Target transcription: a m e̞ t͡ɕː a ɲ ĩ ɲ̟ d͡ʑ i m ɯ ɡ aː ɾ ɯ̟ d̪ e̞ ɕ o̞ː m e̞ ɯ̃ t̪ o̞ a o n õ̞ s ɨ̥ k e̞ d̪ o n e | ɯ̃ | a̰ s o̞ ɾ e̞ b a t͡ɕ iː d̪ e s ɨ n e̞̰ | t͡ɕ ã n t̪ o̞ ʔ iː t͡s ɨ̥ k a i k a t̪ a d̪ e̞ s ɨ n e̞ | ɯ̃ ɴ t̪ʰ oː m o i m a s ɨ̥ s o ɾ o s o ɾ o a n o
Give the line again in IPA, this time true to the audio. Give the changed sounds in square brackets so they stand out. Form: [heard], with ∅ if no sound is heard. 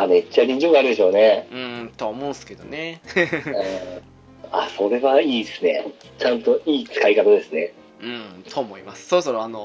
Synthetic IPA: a m e̞ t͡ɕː a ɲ ĩ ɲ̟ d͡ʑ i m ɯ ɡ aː ɾ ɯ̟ d̪ e̞ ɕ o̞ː [n] e̞ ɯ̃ t̪ o̞ a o [m] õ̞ s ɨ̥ k e̞ d̪ o n e | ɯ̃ | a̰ s o̞ ɾ e̞ [β] a [∅] iː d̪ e s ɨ n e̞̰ | t͡ɕ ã n t̪ o̞ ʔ iː t͡s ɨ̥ k a i k a t̪ a d̪ e̞ s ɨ n e̞ | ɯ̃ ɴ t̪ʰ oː m o i m a s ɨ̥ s o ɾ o s o ɾ o a n o